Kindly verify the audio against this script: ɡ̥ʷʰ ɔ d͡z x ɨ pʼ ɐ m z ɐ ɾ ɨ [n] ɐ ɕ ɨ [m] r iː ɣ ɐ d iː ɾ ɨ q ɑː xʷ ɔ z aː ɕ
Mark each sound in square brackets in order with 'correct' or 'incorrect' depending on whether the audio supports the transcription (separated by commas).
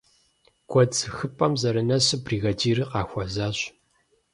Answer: correct, incorrect